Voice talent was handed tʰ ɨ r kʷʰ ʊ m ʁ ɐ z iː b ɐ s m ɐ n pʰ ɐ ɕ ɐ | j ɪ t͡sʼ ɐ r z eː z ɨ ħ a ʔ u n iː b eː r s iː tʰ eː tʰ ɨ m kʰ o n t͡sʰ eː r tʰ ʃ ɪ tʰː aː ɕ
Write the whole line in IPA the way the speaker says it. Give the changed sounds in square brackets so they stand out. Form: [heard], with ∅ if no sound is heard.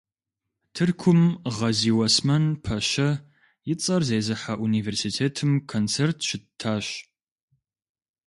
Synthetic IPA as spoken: tʰ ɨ r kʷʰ ʊ m ʁ ɐ z iː [w] ɐ s m ɐ n pʰ ɐ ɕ ɐ | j ɪ t͡sʼ ɐ r z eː z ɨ ħ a ʔ u n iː [v] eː r s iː tʰ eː tʰ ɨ m kʰ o n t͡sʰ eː r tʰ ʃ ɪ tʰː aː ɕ